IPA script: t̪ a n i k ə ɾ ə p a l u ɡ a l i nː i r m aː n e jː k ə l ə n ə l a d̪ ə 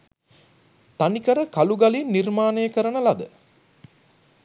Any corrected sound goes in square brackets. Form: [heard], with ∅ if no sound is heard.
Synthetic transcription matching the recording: t̪ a n i k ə ɾ ə [k] a l u ɡ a l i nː i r m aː n e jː k ə [ɾ] ə n ə l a d̪ ə